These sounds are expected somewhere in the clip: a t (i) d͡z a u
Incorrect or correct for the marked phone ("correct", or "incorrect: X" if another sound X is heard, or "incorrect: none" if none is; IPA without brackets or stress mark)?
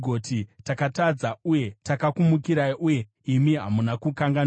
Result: incorrect: a